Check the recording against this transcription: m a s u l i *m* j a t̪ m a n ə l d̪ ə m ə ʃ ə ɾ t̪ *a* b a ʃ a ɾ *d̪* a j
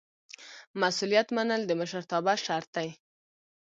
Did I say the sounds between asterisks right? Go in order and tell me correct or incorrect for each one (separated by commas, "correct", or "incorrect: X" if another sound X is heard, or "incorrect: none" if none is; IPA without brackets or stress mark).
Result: incorrect: none, incorrect: ɑ, incorrect: t̪